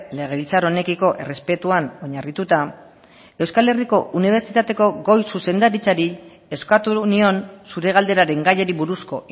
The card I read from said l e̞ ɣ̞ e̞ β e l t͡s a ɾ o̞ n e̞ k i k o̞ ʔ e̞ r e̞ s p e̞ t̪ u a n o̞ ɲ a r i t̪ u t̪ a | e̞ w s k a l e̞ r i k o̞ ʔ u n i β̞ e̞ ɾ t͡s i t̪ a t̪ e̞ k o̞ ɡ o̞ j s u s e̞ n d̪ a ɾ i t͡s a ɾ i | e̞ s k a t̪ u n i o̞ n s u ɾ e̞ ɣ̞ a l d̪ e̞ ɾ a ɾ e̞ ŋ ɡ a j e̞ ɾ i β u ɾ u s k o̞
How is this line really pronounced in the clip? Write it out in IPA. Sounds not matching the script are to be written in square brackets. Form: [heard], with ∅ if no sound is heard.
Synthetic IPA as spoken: l e̞ ɣ̞ e̞ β [i] l t͡s a ɾ o̞ n e̞ k i k o̞ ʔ e̞ r e̞ s p e̞ t̪ u a n o̞ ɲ a r i t̪ u t̪ a | e̞ w s k a l e̞ r i k o̞ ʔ u n i β̞ e̞ ɾ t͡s i t̪ a t̪ e̞ k o̞ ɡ o̞ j s u s e̞ n d̪ a ɾ i t͡s a ɾ i | e̞ s k a t̪ u n i o̞ n s u ɾ e̞ ɣ̞ a l d̪ e̞ ɾ a ɾ e̞ ŋ ɡ a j e̞ ɾ i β u ɾ u s k o̞

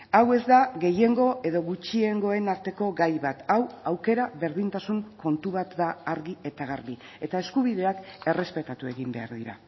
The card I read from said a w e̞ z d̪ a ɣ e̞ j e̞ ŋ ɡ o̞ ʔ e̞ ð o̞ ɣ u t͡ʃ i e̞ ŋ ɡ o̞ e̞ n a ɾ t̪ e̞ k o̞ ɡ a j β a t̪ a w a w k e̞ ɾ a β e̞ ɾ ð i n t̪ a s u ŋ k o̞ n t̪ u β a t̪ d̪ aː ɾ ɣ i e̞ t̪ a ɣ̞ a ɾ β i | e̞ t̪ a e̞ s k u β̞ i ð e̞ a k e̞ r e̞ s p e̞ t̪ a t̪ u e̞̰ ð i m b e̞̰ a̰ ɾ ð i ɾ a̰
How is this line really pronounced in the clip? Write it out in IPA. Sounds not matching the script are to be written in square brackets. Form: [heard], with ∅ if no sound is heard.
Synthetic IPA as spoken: a w e̞ z d̪ a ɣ e̞ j e̞ ŋ ɡ o̞ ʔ e̞ ð o̞ ɣ u t͡ʃ i e̞ ŋ ɡ o̞ e̞ n a ɾ t̪ e̞ k o̞ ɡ a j β a t̪ a w a w k e̞ ɾ a β e̞ ɾ ð i n t̪ a s u ŋ k o̞ n t̪ u β a t̪ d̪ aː ɾ ɣ i e̞ t̪ a ɣ̞ a ɾ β i | e̞ t̪ a e̞ s k u β̞ i ð e̞ a k e̞ r e̞ s p e̞ t̪ a t̪ u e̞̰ [ɣ] i m b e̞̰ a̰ ɾ ð i ɾ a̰

